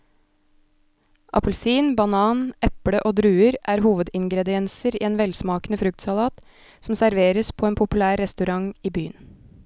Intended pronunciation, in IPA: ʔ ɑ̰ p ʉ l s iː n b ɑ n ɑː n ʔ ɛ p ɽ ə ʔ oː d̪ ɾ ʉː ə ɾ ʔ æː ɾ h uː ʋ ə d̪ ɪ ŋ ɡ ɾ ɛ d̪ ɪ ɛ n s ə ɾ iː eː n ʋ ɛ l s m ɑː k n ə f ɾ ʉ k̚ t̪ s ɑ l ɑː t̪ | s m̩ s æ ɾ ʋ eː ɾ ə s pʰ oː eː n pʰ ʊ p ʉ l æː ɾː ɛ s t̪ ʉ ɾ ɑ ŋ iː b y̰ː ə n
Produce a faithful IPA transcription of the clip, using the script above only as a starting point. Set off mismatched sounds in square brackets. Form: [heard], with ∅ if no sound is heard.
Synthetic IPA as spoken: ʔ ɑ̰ p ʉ l s iː n b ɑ n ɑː n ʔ ɛ p ɽ ə ʔ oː d̪ ɾ ʉː ə ɾ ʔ æː ɾ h uː ʋ ə d̪ ɪ ŋ ɡ ɾ ɛ d̪ ɪ ɛ n s ə ɾ iː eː n ʋ ɛ l s m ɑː k n ə f ɾ ʉ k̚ t̪ s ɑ l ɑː t̪ | s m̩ s æ ɾ ʋ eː ɾ ə s pʰ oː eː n pʰ ʊ p ʉ l æː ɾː ɛ s t̪ ʉ ɾ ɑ ŋ iː b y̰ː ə n